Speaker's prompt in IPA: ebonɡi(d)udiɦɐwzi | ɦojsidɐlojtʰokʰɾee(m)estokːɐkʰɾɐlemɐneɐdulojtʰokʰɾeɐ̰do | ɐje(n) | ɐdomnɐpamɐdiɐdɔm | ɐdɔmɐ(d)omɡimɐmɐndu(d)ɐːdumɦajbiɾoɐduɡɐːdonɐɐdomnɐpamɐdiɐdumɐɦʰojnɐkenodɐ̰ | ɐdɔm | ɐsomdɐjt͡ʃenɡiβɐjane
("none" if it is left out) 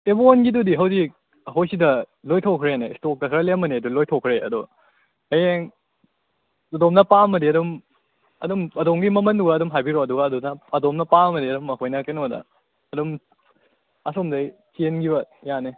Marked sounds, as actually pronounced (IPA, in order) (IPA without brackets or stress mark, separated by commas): d, n, ŋ, d, ɡ